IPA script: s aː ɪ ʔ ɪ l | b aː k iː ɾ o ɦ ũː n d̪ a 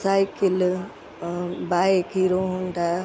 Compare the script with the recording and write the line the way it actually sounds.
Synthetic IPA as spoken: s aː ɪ k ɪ l | b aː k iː ɾ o ɦ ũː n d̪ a